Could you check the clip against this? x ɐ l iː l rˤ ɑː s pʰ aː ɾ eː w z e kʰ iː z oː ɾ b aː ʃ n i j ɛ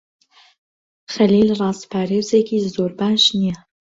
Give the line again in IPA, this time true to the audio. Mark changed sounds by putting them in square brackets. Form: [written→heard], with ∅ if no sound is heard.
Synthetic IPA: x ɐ l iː l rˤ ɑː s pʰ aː ɾ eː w z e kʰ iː z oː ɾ b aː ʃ n i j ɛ